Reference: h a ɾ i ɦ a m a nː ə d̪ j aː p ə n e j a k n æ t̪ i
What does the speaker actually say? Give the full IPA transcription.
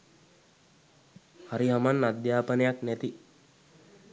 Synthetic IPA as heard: h a ɾ i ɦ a m a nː a d̪ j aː p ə n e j a k n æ t̪ i

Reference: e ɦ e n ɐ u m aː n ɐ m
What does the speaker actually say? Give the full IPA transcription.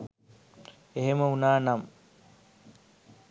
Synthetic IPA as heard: e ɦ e m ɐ u n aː n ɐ m

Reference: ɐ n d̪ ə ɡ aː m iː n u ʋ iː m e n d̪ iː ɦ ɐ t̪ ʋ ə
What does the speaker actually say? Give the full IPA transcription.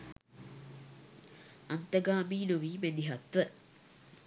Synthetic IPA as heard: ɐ n t̪ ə ɡ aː m iː n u ʋ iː m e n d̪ i ɦ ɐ t̪ ʋ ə

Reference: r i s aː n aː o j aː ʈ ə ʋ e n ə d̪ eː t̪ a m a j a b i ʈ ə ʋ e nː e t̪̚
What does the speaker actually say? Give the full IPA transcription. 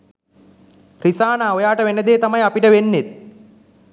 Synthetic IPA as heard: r i s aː n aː o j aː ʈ ə ʋ e n ə d̪ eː t̪ a m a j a p i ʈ ə ʋ e nː e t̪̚

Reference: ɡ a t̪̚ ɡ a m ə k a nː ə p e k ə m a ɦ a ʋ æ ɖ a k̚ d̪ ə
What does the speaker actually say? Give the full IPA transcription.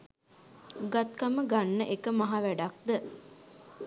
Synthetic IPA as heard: ɡ a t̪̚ k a m ə ɡ a nː ə ʔ e k ə m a ɦ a ʋ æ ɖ a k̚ d̪ ə

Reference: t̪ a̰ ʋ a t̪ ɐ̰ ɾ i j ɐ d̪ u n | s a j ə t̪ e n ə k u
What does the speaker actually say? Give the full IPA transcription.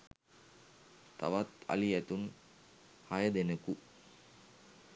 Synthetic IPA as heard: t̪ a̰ ʋ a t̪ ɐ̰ l i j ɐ t̪ u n | h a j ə d̪ e n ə k u

